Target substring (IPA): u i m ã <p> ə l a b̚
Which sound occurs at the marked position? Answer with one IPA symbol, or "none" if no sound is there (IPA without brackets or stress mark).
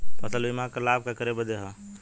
k